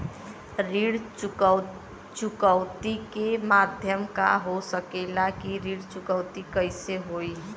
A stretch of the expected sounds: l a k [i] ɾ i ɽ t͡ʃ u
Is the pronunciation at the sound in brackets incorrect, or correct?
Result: correct